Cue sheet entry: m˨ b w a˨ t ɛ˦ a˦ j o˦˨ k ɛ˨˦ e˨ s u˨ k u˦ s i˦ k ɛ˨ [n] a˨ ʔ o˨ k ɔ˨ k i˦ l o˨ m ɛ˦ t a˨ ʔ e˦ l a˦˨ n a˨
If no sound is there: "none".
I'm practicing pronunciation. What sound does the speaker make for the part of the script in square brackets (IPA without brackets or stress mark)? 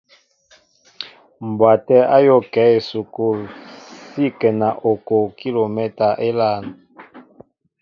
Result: n